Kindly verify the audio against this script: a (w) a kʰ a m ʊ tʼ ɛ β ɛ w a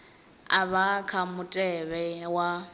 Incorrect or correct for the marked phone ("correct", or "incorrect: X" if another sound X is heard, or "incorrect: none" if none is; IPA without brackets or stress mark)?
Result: incorrect: β